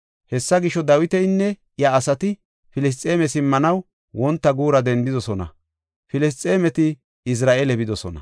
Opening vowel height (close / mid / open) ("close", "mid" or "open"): mid